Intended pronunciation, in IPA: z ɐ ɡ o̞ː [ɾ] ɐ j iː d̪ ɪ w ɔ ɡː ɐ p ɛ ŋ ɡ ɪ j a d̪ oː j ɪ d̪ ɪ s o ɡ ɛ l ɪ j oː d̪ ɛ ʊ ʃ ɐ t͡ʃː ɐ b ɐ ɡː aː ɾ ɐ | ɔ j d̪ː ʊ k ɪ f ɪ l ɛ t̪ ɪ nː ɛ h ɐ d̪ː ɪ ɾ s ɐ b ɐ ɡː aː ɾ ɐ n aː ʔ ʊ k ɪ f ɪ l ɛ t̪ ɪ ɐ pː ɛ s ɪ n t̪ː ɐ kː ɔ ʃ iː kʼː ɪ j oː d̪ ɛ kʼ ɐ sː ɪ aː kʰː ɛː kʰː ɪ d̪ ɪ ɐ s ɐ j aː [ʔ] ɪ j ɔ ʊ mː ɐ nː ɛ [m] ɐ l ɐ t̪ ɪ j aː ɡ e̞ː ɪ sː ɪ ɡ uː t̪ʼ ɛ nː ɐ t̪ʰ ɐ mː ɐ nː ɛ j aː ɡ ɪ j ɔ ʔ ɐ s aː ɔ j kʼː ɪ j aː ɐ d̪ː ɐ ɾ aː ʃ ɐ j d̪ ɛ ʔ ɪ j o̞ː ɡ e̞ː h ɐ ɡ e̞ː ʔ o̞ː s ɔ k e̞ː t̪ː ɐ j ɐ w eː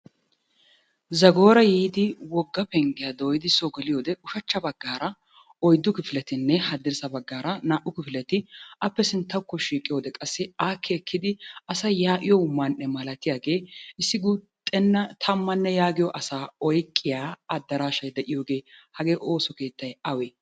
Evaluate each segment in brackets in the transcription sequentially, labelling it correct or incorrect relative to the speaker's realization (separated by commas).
correct, correct, correct